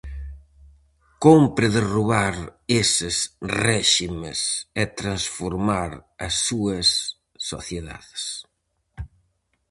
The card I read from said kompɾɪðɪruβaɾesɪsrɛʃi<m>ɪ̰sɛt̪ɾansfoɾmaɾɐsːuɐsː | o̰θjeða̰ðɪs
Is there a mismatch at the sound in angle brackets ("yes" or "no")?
no